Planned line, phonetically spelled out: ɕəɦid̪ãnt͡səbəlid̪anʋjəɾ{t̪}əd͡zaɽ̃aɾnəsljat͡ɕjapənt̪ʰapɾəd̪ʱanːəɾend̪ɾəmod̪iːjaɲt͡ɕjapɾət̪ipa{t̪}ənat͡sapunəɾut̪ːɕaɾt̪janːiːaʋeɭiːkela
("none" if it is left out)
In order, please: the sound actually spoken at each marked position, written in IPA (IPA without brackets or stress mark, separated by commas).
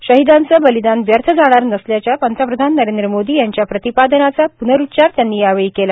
t̪ʰ, d̪